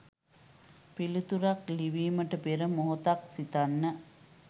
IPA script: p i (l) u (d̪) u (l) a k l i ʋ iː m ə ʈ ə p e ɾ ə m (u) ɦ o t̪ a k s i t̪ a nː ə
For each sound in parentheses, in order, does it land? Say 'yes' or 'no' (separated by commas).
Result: yes, no, no, no